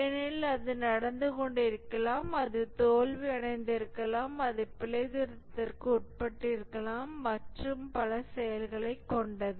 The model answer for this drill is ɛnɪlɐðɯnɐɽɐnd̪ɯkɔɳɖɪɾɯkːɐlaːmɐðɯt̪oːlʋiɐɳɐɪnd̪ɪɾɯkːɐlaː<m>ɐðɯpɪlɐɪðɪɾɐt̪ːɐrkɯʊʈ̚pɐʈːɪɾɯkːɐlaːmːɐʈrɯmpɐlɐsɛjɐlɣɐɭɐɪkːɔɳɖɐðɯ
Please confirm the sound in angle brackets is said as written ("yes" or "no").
yes